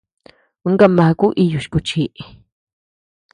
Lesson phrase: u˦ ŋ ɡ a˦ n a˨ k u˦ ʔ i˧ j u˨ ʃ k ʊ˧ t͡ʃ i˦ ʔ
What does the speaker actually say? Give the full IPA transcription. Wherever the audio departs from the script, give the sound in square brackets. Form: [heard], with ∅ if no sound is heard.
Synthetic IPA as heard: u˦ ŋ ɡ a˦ [m] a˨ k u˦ ʔ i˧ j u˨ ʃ k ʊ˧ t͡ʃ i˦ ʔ